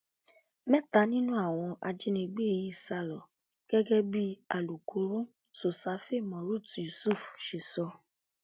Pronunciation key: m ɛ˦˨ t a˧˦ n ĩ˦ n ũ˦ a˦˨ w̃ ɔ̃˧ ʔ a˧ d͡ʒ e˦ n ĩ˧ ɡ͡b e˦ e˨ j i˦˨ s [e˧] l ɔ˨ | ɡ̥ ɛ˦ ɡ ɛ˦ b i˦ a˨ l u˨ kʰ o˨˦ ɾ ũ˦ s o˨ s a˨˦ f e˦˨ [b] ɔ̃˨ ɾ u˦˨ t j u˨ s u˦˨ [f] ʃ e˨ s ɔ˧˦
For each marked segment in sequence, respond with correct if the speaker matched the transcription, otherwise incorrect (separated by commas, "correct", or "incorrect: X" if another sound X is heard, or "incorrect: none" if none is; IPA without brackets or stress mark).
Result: incorrect: a˧, incorrect: m, correct